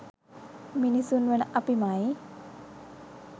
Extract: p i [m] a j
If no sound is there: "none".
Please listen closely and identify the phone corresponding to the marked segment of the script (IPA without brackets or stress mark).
m